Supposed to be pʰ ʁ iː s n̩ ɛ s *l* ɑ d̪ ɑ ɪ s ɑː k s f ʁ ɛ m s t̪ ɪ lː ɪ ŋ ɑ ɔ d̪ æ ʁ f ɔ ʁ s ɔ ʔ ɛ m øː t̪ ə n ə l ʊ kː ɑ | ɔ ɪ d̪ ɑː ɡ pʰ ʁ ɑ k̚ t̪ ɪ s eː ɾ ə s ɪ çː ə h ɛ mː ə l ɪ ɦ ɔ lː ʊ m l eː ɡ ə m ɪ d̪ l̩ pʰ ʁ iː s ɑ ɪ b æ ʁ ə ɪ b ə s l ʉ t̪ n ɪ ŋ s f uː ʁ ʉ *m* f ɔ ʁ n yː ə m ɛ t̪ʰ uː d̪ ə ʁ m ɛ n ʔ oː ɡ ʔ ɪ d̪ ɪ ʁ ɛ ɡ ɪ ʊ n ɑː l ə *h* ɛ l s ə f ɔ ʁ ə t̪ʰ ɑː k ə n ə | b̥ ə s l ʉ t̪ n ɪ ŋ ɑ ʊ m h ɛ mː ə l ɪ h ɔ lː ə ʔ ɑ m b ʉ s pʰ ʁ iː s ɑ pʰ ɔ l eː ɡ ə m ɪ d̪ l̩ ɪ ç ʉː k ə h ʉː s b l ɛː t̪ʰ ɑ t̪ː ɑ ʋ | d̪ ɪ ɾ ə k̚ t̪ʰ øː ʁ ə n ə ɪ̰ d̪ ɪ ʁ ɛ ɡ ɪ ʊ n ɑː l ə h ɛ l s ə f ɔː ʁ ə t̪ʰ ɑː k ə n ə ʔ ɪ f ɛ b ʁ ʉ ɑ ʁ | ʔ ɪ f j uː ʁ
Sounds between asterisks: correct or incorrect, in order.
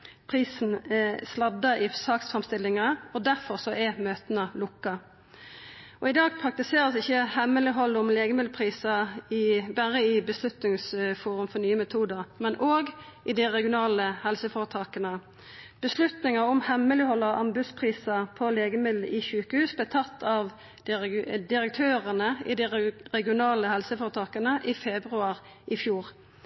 correct, correct, correct

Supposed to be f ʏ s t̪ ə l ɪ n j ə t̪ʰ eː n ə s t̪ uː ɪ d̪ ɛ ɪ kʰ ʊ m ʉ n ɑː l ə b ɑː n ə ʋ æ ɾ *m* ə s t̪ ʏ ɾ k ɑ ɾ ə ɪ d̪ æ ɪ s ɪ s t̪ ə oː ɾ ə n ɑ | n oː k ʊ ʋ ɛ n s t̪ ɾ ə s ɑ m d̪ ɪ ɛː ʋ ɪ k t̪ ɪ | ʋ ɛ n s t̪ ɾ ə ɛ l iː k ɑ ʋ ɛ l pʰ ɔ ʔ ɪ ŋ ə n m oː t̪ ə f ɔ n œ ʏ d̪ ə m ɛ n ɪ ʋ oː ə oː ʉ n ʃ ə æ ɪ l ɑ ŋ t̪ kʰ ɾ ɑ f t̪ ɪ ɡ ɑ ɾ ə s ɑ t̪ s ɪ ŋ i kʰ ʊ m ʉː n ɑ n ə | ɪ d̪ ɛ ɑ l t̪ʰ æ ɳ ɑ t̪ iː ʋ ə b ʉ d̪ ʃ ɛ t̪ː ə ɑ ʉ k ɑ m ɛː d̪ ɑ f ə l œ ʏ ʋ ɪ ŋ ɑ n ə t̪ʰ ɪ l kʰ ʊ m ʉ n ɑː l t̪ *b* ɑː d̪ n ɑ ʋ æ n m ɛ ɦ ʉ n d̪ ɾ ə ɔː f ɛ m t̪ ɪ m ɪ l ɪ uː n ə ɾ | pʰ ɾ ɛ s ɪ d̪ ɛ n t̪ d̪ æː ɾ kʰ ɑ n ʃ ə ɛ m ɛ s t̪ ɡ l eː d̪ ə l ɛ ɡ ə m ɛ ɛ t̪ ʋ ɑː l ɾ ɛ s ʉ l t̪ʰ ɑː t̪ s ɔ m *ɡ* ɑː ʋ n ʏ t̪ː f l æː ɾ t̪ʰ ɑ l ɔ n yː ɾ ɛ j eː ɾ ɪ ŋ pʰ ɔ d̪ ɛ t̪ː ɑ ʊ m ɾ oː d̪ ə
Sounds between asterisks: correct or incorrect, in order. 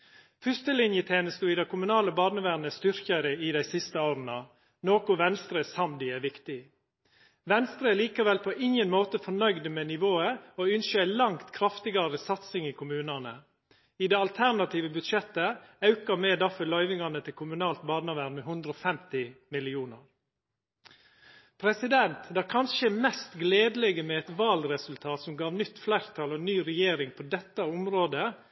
incorrect: n, correct, correct

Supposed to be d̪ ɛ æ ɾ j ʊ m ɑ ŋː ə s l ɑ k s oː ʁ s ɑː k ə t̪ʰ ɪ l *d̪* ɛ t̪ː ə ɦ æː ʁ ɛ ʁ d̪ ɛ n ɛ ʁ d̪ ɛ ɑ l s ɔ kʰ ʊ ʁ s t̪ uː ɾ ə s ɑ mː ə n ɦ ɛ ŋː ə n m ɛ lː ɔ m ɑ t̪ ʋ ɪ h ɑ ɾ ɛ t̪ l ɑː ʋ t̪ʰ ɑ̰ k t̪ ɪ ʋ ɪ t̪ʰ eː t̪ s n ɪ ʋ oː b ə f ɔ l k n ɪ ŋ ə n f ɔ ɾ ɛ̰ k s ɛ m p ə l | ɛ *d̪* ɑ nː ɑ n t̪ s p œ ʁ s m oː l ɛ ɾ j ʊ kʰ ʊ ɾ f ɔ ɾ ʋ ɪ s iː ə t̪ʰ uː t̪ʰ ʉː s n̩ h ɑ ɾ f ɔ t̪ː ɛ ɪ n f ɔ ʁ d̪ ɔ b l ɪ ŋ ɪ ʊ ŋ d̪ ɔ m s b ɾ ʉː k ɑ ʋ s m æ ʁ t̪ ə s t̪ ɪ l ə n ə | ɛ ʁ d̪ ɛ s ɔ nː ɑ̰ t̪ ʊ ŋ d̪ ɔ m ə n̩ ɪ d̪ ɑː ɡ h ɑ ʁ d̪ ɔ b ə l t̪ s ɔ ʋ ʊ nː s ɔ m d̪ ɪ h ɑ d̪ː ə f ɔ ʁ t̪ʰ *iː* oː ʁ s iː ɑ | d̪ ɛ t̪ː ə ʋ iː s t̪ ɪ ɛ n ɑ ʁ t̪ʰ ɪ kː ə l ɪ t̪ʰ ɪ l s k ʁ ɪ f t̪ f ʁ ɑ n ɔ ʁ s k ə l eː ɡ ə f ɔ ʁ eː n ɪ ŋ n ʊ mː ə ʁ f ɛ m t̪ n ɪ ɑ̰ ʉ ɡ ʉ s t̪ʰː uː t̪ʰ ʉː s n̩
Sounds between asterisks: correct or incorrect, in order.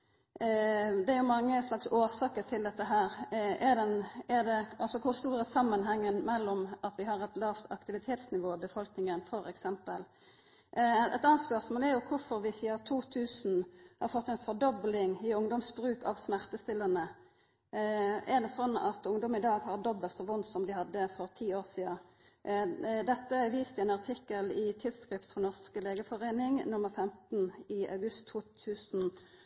correct, incorrect: t̪, correct

